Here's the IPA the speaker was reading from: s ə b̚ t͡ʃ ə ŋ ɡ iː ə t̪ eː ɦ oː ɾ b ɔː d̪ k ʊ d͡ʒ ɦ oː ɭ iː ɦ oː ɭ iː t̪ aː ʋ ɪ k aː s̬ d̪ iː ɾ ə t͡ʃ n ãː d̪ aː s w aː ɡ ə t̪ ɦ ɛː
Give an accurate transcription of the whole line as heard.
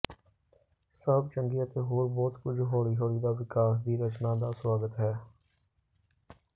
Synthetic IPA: s ə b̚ t͡ʃ ə ŋ ɡ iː ə t̪ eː ɦ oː ɾ b ɔː t̪ k ʊ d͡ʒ ɦ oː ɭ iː ɦ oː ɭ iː d̪ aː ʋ ɪ k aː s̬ d̪ iː ɾ ə t͡ʃ n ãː d̪ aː s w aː ɡ ə t̪ ɦ ɛː